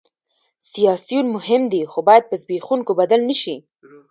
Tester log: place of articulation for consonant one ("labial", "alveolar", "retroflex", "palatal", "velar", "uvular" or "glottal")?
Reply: alveolar